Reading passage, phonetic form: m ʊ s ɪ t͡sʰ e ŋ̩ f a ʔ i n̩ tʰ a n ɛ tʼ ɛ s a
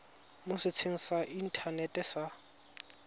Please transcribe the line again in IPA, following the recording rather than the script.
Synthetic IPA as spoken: m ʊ s ɪ t͡sʰ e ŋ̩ s a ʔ i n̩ tʰ a n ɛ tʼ ɛ s a